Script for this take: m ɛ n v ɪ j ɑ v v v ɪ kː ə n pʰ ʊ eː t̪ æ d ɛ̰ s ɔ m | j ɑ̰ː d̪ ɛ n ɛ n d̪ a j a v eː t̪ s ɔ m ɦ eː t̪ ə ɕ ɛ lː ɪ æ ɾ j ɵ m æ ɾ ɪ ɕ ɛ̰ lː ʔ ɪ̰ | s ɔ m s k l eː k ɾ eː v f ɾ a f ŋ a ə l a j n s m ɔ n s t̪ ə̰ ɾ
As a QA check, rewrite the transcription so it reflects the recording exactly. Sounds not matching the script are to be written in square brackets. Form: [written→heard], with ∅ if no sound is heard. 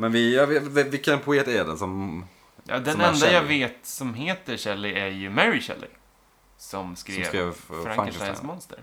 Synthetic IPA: m ɛ n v ɪ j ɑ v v v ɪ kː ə n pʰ ʊ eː t̪ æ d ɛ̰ s ɔ m | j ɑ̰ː d̪ ɛ n ɛ n d̪ a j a v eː t̪ s ɔ m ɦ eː t̪ ə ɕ ɛ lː ɪ æ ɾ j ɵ m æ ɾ ɪ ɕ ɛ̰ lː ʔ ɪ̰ | s ɔ m s k [l→ɾ] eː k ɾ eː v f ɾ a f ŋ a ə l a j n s m ɔ n s t̪ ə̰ ɾ